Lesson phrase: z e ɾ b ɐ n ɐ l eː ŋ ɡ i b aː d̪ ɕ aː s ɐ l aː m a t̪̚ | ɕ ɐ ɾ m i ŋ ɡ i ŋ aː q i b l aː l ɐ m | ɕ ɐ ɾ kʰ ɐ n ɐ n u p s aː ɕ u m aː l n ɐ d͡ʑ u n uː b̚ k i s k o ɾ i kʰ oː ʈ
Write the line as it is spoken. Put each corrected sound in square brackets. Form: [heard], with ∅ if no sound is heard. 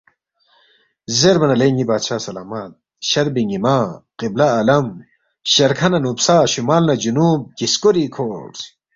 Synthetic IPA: z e ɾ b ɐ n ɐ l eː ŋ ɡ i b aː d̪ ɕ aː s ɐ l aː m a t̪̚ | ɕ ɐ ɾ [b] i ŋ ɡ i [m] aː q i b l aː l ɐ m | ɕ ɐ ɾ kʰ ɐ n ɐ n u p s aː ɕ u m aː l n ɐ d͡ʑ u n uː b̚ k i s k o ɾ i kʰ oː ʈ